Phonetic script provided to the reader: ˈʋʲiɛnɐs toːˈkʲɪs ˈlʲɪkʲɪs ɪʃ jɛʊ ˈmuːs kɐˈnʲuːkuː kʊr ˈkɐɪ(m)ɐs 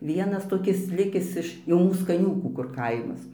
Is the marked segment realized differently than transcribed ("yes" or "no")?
no